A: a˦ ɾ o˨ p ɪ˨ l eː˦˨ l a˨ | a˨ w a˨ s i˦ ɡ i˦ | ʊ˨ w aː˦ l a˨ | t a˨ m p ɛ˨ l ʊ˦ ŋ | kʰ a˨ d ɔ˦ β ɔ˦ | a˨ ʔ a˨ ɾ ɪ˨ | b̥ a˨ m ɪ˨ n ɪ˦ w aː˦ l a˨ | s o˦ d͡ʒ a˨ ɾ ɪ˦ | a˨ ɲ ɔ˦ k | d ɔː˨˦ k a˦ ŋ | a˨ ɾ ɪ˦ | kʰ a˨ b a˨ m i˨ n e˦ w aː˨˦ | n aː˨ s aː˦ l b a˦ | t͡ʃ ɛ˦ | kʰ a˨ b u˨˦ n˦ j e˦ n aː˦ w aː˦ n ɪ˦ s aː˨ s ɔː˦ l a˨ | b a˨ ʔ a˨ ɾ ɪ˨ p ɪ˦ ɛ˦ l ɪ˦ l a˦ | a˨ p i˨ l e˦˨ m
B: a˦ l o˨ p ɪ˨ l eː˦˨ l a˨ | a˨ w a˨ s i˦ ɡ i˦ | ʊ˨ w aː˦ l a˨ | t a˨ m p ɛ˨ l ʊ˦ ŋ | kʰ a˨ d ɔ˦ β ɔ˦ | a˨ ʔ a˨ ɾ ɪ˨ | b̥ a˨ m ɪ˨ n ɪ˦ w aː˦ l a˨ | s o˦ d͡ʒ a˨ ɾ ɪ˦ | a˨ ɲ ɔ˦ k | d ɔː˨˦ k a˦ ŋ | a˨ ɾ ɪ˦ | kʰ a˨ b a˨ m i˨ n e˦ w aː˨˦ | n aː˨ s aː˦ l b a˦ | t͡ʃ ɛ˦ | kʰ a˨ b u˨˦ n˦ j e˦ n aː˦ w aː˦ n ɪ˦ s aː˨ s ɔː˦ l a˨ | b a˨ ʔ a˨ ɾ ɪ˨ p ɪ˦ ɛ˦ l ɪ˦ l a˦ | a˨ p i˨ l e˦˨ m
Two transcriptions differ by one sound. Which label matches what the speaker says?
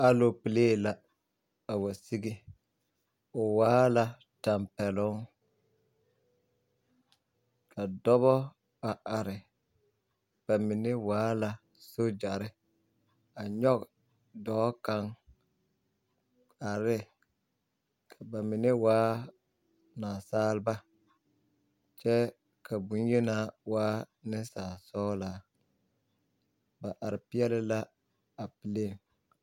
B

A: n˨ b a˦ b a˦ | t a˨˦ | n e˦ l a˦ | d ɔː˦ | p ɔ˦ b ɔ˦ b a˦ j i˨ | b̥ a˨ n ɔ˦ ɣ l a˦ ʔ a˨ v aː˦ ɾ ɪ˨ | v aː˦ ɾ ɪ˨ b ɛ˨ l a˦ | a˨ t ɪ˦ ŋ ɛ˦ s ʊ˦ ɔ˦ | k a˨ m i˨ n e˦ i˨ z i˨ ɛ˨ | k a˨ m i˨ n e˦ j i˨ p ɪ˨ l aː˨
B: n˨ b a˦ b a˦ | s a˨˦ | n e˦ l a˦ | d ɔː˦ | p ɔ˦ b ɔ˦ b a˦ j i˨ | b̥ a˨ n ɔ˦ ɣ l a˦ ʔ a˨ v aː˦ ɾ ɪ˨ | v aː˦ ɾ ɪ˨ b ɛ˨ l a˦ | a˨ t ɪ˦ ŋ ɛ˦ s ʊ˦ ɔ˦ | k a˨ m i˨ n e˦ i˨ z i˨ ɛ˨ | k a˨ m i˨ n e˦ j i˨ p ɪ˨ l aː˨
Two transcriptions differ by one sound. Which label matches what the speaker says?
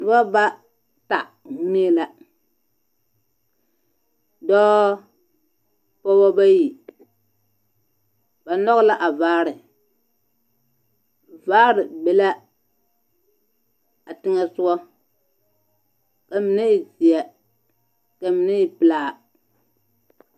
A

